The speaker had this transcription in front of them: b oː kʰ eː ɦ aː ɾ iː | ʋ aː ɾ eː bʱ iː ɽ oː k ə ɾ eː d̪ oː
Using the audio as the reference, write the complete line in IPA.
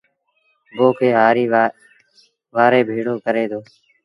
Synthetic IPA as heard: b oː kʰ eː ɦ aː ɾ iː | ʋ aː ɾ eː bʱ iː ɽ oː k ə ɾ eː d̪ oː